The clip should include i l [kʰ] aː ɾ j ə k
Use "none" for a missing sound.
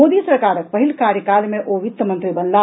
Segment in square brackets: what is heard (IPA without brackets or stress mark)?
k